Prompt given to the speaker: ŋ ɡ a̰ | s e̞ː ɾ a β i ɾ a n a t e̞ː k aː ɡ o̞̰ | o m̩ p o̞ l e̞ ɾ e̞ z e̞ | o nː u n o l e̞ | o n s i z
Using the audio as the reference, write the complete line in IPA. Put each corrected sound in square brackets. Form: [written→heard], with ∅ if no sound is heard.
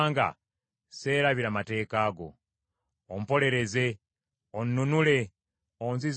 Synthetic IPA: ŋ ɡ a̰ | s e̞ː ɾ a β i ɾ a [n→m] a t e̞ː k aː ɡ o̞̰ | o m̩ p o̞ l e̞ ɾ e̞ z e̞ | o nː u n [o→u] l e̞ | o n [s→z] i z